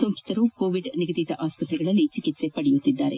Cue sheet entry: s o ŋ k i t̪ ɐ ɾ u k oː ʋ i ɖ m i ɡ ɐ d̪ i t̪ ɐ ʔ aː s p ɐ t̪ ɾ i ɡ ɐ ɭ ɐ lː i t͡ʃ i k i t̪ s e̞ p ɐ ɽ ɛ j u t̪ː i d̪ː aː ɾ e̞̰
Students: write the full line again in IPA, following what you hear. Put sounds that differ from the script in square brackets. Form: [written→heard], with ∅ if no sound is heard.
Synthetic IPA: s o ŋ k i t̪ ɐ ɾ u k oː ʋ i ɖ [m→n] i ɡ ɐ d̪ i t̪ ɐ ʔ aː s p ɐ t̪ ɾ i ɡ ɐ ɭ ɐ lː i t͡ʃ i k i t̪ s e̞ p ɐ ɽ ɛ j u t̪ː i d̪ː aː ɾ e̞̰

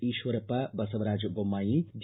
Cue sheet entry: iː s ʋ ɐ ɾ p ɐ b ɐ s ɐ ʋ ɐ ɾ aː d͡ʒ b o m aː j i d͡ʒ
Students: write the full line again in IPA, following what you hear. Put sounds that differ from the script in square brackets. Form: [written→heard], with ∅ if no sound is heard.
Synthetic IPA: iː [s→ʃ] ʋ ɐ ɾ p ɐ b ɐ s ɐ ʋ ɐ ɾ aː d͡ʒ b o m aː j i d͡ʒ

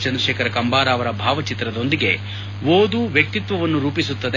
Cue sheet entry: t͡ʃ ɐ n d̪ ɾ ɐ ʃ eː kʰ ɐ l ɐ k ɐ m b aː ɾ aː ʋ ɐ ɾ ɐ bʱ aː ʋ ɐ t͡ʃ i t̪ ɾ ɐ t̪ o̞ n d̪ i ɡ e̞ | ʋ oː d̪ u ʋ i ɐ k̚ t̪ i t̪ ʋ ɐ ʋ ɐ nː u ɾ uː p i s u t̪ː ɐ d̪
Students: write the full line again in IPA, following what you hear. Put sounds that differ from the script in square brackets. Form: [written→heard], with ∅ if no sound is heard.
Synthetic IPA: t͡ʃ ɐ n d̪ ɾ ɐ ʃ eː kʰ ɐ [l→ɾ] ɐ k ɐ m b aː ɾ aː ʋ ɐ ɾ ɐ bʱ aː ʋ ɐ t͡ʃ i t̪ ɾ ɐ [t̪→d̪] o̞ n d̪ i ɡ e̞ | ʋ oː d̪ u ʋ [i→j] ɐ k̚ t̪ i t̪ ʋ ɐ ʋ ɐ nː u ɾ uː p i s u t̪ː ɐ d̪

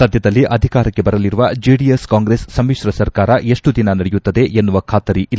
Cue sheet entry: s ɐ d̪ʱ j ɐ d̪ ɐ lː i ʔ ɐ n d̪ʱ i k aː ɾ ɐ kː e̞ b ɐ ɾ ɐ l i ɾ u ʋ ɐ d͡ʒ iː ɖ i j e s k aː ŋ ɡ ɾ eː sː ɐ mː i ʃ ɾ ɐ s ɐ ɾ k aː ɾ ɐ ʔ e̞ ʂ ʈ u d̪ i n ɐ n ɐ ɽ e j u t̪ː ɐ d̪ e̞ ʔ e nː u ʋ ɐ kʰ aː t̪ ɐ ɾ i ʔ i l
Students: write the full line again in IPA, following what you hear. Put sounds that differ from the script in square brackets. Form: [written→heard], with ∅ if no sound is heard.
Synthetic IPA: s ɐ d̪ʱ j ɐ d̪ ɐ lː i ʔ ɐ [n→∅] d̪ʱ i k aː ɾ ɐ kː e̞ b ɐ ɾ ɐ l i ɾ u ʋ ɐ d͡ʒ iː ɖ i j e s k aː ŋ ɡ ɾ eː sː ɐ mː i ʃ ɾ ɐ s ɐ ɾ k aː ɾ ɐ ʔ e̞ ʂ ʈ u d̪ i n ɐ n ɐ ɽ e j u t̪ː ɐ d̪ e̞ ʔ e nː u ʋ ɐ kʰ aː t̪ ɐ ɾ i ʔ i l

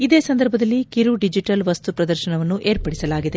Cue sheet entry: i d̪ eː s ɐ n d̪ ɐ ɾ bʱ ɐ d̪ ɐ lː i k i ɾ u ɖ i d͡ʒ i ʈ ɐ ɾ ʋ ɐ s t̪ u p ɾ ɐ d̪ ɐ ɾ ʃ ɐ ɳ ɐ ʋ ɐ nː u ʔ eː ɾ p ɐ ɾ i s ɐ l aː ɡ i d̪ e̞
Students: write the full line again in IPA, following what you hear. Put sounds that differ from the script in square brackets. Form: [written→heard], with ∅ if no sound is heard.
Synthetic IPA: i d̪ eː s ɐ n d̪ ɐ ɾ bʱ ɐ d̪ ɐ lː i k i ɾ u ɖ i d͡ʒ i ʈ ɐ [ɾ→l] ʋ ɐ s t̪ u p ɾ ɐ d̪ ɐ ɾ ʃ ɐ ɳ ɐ ʋ ɐ nː u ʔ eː ɾ p ɐ [ɾ→ɽ] i s ɐ l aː ɡ i d̪ e̞

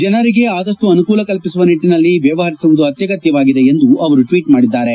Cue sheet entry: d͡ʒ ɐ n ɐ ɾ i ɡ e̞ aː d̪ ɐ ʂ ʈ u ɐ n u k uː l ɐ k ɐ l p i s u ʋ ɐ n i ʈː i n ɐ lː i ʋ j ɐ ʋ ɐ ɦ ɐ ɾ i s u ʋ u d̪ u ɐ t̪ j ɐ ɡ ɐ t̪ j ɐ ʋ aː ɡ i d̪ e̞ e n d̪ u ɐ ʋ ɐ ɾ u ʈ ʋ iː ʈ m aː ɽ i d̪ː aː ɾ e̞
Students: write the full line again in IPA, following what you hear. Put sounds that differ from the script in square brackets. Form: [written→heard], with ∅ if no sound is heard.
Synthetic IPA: d͡ʒ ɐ n ɐ ɾ i ɡ e̞ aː d̪ ɐ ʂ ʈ u ɐ n u k uː l ɐ k ɐ l p i s u ʋ ɐ n i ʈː i n ɐ lː i ʋ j ɐ ʋ ɐ ɦ ɐ ɾ i s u ʋ u d̪ u ɐ t̪ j ɐ ɡ ɐ t̪ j ɐ ʋ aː ɡ i d̪ e̞ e n d̪ u ɐ ʋ ɐ ɾ u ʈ ʋ iː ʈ m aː ɽ i d̪ː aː ɾ e̞

